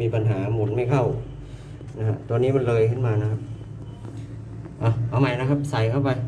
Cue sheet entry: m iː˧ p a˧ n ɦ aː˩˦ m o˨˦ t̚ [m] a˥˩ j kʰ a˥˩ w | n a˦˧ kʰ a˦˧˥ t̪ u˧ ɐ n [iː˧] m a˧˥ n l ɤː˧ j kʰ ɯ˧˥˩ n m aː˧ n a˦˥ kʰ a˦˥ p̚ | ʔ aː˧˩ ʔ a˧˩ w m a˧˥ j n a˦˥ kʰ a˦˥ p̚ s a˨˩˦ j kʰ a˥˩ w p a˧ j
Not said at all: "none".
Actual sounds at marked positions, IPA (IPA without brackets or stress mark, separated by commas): m, iː˦˥˩